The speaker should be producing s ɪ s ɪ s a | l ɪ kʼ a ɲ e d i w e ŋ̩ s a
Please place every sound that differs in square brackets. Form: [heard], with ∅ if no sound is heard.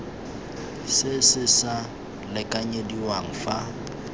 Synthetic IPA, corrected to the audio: s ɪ s ɪ s a | l ɪ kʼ a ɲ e d i w [a] ŋ̩ [f] a